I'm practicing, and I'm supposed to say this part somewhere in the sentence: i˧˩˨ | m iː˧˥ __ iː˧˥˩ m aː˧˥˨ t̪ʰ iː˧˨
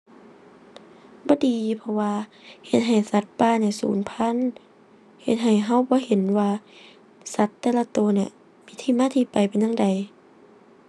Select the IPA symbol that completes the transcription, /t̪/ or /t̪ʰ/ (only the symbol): t̪ʰ